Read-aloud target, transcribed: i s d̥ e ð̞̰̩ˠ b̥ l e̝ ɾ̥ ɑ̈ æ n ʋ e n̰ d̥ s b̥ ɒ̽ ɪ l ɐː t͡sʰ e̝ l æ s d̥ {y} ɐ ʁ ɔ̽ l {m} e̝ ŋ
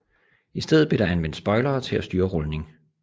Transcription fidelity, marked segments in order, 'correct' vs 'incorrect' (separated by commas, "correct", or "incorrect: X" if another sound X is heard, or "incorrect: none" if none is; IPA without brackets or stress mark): incorrect: yː, incorrect: n